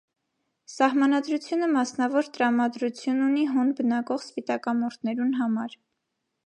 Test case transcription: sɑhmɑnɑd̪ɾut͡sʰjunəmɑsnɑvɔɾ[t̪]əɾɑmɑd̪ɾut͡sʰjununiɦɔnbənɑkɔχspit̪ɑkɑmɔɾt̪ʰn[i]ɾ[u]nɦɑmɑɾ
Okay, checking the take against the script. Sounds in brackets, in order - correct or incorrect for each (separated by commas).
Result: correct, incorrect, correct